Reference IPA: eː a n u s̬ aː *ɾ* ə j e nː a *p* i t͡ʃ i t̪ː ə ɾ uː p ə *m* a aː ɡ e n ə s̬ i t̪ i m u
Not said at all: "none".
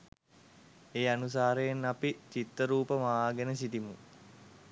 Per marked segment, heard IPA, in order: ɾ, p, m

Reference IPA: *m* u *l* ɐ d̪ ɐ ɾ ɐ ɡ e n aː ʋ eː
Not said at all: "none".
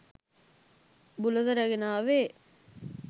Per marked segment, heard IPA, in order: b, l

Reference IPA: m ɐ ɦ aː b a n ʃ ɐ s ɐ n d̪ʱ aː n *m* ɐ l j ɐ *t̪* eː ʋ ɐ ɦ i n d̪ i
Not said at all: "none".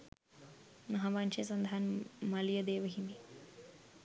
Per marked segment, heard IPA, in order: m, d̪

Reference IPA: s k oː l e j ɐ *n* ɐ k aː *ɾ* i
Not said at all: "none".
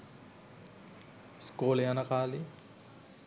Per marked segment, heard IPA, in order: n, l

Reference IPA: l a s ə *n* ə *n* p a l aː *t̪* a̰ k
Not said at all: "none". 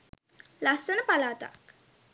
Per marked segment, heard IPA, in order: n, none, t̪

